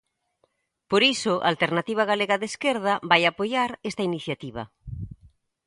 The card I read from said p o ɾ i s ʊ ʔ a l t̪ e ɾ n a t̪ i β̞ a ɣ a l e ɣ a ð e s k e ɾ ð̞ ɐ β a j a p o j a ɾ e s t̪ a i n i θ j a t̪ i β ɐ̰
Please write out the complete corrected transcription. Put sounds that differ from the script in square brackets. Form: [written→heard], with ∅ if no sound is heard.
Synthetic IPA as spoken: p o ɾ i s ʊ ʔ a l t̪ e ɾ n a t̪ i β̞ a ɣ a l e ɣ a ð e s k e ɾ ð̞ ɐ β a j a p o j a ɾ e s t̪ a i n i θ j a t̪ i β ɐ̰